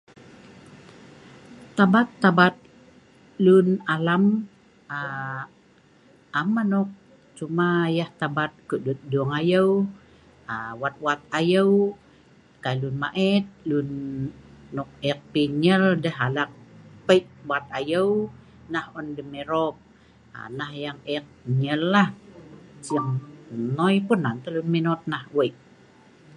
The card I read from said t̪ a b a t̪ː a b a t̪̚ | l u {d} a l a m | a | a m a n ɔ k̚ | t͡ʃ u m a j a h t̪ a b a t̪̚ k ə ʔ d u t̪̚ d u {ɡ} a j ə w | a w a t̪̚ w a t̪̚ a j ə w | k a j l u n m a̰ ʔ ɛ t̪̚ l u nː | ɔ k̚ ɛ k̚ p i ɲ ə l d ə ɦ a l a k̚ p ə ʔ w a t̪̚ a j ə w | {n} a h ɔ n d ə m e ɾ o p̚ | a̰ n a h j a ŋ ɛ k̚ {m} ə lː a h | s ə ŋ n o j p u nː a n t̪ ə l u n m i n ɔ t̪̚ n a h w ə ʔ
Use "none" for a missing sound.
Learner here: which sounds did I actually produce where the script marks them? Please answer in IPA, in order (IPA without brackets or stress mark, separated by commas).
n, ŋ, n, ɲ